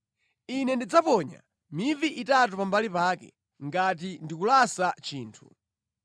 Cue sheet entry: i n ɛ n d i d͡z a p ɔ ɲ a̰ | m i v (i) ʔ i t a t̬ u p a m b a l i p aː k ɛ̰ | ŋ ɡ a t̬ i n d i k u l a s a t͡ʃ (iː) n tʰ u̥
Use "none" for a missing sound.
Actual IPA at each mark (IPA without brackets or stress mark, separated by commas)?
i, iː